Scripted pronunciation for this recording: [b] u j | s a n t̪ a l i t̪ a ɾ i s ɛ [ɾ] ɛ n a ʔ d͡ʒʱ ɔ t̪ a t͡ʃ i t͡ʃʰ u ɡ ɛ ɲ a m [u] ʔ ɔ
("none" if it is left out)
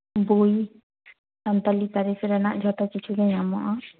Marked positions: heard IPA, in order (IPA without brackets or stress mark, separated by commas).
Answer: b, ɾ, ɔ